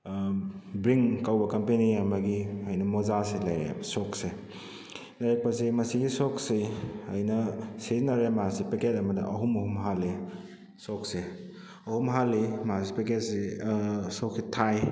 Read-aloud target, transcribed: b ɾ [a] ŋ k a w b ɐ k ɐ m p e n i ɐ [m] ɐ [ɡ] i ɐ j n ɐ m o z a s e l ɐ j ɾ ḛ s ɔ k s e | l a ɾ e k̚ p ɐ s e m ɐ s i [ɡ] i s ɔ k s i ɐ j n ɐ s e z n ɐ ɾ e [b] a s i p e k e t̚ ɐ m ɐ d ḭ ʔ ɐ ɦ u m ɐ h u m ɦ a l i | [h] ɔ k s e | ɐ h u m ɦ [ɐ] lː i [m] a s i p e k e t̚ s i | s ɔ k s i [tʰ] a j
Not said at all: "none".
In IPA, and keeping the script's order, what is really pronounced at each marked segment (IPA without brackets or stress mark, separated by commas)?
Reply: i, m, ɡ, ɡ, m, s, a, m, tʰ